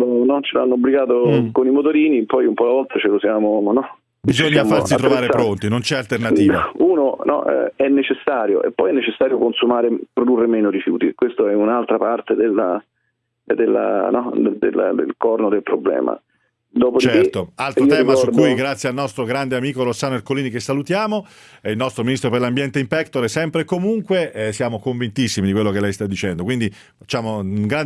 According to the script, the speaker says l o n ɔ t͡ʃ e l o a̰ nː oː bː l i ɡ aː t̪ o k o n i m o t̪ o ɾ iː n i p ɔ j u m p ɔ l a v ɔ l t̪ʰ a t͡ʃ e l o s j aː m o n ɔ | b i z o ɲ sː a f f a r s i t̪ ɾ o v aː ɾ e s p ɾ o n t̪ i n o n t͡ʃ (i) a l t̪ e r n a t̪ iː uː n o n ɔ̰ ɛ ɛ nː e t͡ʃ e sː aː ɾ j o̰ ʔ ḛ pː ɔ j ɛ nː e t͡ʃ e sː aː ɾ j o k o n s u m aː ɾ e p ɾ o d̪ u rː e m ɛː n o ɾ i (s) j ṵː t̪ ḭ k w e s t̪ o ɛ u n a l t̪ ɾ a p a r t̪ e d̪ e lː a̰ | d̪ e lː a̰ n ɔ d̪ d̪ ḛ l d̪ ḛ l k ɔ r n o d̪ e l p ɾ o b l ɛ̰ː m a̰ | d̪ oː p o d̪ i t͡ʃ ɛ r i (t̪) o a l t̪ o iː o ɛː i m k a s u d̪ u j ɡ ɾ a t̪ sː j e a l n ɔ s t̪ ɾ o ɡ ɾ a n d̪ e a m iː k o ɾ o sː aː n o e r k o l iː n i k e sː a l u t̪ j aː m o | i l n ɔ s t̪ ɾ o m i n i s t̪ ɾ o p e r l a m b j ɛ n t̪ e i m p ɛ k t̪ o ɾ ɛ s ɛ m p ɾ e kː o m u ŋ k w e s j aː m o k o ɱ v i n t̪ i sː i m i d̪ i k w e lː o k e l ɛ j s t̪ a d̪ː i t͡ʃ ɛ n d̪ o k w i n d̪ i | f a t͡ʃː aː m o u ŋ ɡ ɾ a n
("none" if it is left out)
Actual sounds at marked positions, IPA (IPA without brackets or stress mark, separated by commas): ɛ, f, t̪